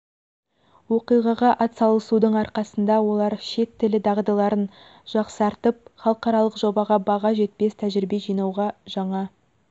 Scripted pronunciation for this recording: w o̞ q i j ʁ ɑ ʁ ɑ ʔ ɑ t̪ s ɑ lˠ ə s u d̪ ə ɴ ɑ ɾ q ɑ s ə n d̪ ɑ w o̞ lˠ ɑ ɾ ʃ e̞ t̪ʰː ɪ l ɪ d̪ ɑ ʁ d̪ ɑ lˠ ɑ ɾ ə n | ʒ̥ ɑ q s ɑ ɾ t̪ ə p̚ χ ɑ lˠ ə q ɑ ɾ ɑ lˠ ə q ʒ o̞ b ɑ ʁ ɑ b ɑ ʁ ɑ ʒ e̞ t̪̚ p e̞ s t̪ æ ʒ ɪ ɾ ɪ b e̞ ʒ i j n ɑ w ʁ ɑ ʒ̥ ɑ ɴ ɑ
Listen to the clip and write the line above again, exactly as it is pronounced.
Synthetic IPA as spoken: w o̞ q i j ʁ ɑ ʁ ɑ ʔ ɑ t̪ s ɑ lˠ ə s u d̪ ə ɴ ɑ ɾ q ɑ s ə n d̪ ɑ w o̞ lˠ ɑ ɾ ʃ e̞ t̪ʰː ɪ l ɪ d̪ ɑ ʁ d̪ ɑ lˠ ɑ ɾ ə n | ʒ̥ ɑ q s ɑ ɾ t̪ ə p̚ χ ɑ lˠ ə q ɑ ɾ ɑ lˠ ə q ʒ o̞ b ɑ ʁ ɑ b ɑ ʁ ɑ ʒ e̞ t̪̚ p e̞ s t̪ʰ æ ʒ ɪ ɾ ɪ b e̞ ʒ i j n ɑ w ʁ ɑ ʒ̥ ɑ ɴ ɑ